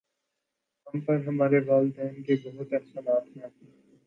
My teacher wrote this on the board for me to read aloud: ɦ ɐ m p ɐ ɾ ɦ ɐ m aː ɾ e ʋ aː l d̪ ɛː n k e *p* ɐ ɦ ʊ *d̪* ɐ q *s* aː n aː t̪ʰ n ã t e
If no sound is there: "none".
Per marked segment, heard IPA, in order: b, t̪, s

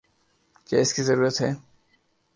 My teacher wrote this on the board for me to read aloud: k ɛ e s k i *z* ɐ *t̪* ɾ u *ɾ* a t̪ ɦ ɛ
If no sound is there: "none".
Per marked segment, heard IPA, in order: z, none, ɾ

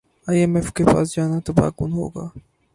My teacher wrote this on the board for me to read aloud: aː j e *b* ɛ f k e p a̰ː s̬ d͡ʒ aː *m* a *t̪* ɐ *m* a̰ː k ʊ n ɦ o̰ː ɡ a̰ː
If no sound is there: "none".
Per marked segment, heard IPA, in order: m, n, t̪, b

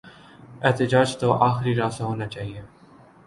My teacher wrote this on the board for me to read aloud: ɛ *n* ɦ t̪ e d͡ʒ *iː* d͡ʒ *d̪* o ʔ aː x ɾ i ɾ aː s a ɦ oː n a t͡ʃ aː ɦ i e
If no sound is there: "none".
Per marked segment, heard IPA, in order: none, aː, t̪

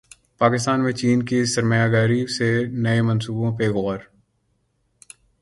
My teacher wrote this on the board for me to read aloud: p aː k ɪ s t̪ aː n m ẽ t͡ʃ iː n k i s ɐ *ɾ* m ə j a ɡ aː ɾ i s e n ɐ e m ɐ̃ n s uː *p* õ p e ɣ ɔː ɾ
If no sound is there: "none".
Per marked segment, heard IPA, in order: ɾ, b

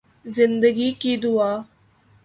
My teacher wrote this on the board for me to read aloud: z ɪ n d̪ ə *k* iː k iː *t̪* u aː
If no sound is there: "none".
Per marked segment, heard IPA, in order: ɡ, d̪

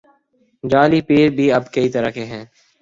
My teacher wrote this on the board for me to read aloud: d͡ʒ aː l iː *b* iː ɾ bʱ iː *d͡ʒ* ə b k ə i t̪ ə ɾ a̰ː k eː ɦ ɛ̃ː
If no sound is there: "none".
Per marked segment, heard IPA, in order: p, none

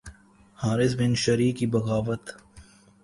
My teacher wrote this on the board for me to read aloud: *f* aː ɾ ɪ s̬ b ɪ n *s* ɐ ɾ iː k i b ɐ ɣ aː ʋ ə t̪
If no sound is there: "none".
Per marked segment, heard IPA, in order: h, ʃ

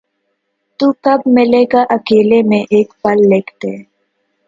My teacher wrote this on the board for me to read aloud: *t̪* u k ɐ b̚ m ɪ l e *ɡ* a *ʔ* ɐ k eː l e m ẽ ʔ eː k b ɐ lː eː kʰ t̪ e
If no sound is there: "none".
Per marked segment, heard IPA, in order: t̪, ɡ, ʔ

